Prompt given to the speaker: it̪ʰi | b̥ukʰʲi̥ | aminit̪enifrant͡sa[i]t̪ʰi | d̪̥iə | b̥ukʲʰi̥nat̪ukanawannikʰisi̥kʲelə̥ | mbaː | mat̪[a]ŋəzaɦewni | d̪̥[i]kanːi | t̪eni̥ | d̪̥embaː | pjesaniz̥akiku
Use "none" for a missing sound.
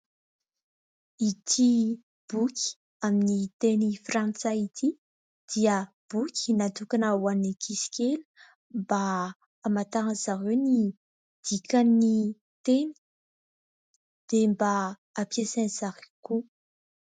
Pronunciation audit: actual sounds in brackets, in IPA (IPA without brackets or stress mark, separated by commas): i, a, i